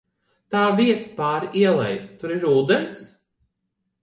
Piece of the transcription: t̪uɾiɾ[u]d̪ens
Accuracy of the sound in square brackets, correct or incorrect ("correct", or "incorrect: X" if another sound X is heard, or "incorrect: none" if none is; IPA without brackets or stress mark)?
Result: incorrect: uː